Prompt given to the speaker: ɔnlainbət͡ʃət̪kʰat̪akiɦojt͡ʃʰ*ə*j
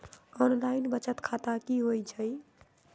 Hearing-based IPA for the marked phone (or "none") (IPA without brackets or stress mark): ə